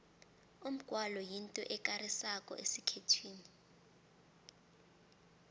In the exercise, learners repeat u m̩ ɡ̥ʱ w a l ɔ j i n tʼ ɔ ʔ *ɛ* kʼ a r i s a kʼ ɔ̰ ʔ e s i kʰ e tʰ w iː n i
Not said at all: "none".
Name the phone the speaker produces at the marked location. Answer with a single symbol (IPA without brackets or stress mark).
ɛ